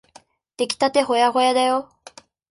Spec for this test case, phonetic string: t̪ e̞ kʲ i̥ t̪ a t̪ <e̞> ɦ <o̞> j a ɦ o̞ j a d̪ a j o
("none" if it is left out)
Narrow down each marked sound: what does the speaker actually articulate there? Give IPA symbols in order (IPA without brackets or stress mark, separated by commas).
e̞, o̞